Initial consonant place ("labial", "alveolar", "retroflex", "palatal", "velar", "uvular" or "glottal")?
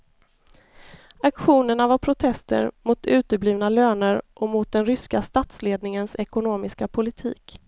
velar